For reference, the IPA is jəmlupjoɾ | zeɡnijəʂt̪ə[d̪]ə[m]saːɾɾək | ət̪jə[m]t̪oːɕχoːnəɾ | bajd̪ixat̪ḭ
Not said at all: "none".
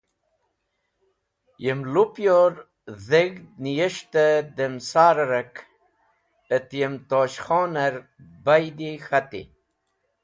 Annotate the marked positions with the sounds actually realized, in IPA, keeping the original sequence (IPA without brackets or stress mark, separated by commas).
d̪, m, m